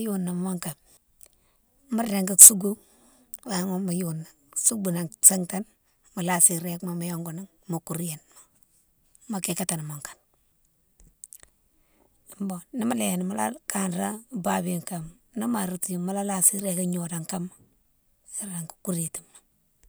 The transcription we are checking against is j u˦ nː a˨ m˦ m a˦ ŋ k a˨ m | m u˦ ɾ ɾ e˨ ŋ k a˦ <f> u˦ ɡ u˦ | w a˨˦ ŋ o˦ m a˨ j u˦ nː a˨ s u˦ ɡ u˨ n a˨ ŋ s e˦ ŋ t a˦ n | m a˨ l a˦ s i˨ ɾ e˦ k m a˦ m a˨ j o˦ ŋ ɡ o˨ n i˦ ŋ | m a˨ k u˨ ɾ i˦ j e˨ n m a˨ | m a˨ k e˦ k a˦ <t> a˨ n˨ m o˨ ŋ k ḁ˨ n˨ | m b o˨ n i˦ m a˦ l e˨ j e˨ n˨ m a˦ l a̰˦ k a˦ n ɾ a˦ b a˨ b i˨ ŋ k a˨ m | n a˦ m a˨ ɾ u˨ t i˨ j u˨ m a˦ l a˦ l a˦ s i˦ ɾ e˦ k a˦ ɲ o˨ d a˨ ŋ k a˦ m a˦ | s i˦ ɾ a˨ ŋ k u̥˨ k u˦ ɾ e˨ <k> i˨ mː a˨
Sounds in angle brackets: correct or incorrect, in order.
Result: incorrect: s, correct, incorrect: t

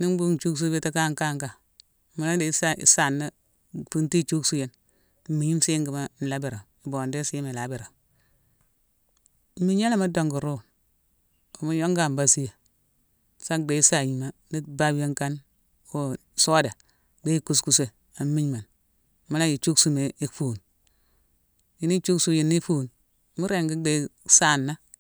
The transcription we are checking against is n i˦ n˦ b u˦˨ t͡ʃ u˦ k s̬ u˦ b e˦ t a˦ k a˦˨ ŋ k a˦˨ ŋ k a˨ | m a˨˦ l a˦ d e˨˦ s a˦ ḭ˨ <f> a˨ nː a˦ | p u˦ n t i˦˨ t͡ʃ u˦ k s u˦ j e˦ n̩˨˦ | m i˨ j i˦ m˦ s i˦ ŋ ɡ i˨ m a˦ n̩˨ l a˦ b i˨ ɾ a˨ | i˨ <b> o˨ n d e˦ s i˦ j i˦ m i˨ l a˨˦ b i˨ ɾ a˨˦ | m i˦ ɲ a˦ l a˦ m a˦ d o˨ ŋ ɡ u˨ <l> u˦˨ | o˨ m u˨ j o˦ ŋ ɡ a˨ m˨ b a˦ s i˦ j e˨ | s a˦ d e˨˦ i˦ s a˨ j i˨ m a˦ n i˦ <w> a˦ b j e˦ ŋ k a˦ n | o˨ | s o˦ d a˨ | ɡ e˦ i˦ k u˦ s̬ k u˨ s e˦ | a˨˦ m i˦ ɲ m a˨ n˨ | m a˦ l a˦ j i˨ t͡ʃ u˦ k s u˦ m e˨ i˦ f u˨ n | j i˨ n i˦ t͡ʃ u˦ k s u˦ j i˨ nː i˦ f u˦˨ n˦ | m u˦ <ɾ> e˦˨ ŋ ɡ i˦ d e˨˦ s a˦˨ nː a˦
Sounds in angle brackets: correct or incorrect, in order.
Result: incorrect: s, correct, incorrect: ɾ, incorrect: b, correct

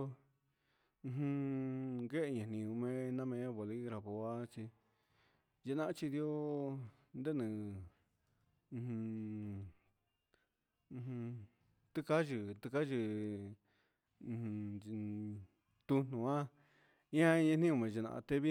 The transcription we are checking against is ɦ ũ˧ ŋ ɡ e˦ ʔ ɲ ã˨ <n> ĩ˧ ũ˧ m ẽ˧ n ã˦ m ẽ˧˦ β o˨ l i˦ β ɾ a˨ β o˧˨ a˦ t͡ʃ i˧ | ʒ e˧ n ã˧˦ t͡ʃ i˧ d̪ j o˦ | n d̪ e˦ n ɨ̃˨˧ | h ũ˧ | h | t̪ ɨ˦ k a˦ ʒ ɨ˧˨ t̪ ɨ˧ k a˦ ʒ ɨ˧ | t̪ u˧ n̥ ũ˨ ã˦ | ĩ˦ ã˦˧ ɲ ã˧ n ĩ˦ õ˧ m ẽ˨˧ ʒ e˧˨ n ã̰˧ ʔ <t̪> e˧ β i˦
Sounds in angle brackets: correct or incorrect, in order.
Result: correct, correct

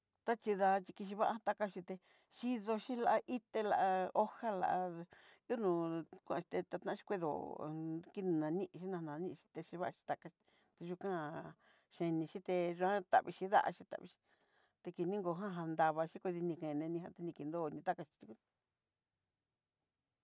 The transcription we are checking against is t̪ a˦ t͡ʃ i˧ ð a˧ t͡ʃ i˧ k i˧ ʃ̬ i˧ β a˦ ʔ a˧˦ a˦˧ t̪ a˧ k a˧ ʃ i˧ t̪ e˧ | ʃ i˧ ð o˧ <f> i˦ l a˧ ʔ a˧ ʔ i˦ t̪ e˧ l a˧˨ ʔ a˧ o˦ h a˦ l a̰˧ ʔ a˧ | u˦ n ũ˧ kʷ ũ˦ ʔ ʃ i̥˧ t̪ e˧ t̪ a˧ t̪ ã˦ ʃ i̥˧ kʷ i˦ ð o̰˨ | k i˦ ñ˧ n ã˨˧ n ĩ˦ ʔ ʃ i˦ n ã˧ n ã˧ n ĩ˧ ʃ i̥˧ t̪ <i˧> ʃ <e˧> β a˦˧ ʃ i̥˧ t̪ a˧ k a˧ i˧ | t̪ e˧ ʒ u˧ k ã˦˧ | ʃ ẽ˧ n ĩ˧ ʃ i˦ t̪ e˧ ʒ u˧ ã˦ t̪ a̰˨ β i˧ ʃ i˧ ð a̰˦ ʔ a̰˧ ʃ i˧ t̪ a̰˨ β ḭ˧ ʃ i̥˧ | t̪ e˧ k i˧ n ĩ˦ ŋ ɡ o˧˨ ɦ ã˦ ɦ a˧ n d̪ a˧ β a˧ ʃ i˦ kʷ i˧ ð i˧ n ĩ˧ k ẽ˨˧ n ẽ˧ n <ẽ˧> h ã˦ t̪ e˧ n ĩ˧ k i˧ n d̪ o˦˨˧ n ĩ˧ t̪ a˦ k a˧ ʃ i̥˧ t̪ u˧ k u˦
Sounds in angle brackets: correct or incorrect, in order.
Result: incorrect: ʃ, incorrect: e˧, incorrect: i˧, incorrect: ĩ˧

